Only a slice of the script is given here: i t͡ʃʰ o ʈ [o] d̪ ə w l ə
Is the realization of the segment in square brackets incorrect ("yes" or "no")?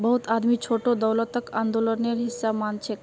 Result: no